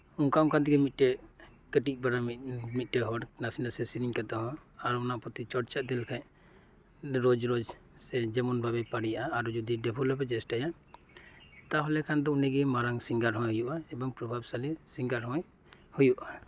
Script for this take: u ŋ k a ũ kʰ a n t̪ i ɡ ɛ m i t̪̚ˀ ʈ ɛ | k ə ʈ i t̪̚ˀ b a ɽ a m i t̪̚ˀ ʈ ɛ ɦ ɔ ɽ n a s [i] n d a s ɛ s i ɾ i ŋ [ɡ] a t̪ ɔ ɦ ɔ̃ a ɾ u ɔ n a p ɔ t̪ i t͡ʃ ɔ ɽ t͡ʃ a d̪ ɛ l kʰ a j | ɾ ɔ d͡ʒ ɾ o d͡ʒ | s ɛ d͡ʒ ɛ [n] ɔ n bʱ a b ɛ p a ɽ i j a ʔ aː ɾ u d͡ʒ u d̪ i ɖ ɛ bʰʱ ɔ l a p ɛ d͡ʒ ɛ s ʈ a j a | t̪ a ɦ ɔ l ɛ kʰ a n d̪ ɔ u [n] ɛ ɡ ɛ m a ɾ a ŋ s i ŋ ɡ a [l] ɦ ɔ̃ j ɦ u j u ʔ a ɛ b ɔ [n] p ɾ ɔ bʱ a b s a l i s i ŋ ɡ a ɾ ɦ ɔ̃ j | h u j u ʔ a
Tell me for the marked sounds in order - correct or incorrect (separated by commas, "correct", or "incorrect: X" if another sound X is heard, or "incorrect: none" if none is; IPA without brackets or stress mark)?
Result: correct, incorrect: k, incorrect: m, correct, incorrect: ɾ, incorrect: ŋ